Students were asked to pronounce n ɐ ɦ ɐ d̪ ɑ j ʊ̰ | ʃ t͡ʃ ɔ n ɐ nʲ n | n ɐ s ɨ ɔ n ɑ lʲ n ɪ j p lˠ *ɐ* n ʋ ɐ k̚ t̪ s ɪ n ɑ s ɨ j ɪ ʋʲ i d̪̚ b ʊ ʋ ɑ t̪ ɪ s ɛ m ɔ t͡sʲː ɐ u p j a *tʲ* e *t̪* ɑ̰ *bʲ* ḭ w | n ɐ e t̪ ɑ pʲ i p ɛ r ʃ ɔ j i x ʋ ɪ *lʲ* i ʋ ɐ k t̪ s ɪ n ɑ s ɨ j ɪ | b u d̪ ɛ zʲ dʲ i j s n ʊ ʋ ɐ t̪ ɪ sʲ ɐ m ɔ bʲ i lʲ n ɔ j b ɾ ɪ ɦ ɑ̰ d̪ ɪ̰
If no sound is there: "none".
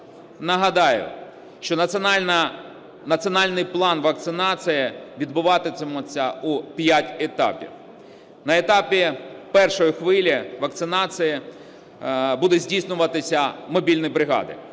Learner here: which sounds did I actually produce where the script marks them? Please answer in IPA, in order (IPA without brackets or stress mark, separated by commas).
ɑ, tʲ, t̪, pʲ, lʲ